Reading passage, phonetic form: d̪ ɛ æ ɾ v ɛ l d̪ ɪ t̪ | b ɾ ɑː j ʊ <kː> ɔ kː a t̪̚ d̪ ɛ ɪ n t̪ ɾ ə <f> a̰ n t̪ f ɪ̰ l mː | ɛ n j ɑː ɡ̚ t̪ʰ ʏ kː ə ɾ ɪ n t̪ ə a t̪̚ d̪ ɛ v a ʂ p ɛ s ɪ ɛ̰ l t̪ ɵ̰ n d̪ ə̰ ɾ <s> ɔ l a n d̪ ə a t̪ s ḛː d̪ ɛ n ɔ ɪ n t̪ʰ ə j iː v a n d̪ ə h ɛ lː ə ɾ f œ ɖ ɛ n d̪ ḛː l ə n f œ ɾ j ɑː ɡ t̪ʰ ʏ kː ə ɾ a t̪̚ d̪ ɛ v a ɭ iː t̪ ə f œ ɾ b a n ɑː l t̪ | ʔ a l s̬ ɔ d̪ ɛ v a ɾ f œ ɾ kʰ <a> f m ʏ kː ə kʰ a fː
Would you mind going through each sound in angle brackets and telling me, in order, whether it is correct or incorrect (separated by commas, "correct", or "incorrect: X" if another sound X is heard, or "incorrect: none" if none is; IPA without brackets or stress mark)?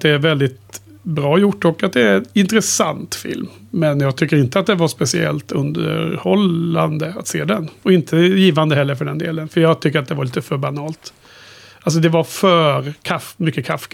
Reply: incorrect: ʈː, incorrect: s, incorrect: h, correct